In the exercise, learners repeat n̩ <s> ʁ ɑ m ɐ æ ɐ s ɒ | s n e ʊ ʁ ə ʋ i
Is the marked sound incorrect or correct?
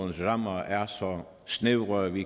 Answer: correct